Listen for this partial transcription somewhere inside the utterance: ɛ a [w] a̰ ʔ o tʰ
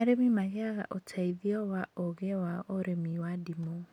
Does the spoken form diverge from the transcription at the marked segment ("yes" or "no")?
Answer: yes